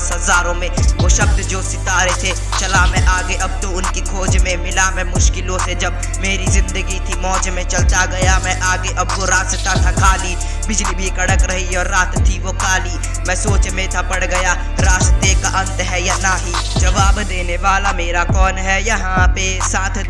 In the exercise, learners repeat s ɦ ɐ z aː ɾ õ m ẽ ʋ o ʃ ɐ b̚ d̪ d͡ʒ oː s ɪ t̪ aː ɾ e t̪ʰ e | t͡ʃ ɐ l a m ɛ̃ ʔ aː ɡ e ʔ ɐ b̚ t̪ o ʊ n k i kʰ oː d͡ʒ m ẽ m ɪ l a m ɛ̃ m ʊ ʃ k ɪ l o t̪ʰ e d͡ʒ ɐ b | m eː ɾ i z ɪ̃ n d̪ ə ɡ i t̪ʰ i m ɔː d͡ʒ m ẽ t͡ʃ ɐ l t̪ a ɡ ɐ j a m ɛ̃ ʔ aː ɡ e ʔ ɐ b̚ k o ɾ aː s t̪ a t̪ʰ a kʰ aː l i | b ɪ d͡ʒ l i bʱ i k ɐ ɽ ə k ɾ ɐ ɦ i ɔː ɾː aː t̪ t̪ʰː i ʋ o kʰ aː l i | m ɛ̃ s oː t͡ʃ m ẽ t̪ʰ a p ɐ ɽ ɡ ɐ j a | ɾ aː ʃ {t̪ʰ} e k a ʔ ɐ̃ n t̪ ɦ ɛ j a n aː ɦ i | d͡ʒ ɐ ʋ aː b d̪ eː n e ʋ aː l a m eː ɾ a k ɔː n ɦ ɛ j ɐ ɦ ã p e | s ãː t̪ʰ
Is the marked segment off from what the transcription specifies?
yes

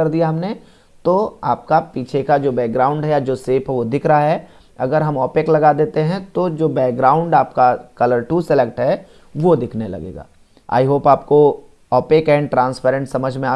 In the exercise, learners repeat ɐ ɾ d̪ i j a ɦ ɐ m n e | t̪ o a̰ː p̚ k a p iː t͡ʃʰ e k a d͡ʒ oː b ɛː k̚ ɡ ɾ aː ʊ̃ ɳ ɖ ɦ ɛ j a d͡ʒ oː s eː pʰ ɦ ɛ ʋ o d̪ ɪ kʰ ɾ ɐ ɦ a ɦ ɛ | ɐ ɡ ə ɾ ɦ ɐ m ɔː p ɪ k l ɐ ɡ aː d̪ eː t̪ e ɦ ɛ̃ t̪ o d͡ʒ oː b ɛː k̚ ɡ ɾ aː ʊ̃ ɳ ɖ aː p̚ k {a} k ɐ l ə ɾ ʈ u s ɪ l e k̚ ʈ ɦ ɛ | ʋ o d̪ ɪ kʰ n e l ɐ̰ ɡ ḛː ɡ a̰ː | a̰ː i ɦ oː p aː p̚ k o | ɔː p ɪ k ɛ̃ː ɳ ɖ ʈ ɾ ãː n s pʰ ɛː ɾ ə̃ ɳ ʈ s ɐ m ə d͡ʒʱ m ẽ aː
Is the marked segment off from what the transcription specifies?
no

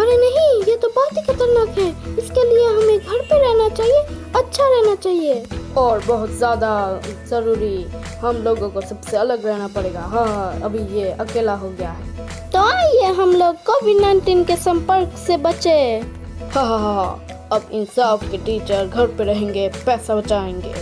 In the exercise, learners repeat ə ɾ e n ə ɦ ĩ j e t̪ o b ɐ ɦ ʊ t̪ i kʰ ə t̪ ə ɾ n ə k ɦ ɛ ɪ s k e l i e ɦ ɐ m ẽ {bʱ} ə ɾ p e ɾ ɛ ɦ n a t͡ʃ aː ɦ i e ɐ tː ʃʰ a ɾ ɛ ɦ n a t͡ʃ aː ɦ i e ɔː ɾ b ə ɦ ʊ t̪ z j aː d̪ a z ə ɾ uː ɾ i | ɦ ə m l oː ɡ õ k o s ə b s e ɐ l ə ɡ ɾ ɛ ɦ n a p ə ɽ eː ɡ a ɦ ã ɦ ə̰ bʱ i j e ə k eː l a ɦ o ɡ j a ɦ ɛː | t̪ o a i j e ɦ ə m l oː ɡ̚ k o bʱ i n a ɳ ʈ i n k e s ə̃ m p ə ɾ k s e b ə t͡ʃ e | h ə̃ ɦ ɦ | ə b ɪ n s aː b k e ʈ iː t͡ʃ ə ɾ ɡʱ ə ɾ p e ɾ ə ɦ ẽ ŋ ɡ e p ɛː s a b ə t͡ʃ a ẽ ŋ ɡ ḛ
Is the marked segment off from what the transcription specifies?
yes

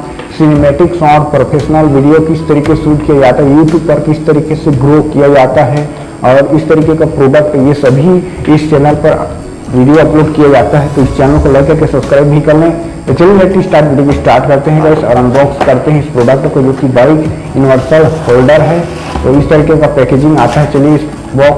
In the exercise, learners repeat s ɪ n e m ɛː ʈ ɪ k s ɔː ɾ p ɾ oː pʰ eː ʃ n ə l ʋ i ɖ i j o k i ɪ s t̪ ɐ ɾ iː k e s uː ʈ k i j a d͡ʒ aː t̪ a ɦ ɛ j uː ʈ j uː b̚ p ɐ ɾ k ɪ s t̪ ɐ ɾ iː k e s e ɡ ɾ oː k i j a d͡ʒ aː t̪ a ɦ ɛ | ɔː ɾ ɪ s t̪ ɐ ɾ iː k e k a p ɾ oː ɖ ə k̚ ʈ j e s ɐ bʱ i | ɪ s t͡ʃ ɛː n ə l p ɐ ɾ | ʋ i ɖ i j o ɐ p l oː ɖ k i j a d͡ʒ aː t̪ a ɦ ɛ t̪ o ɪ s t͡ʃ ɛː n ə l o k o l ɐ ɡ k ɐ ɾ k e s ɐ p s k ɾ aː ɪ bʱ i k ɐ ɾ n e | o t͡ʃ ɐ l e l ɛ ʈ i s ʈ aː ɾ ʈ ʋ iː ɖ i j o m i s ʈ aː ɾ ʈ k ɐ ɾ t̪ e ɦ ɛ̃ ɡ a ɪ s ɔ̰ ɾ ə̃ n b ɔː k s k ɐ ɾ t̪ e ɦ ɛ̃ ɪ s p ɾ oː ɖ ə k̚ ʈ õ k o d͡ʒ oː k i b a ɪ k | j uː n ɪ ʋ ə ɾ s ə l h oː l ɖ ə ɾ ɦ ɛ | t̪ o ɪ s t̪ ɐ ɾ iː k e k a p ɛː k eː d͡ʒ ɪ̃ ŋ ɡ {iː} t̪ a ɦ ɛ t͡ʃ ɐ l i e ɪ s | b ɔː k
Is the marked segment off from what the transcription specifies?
yes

